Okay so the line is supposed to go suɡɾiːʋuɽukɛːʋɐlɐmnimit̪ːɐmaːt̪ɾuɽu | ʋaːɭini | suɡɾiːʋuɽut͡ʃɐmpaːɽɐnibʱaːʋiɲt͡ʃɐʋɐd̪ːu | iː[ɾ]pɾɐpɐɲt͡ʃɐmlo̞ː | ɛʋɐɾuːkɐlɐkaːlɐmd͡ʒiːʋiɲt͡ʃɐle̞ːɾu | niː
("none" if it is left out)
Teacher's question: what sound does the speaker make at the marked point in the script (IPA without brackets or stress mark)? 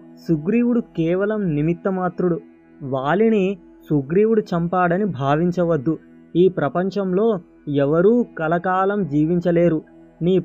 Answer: none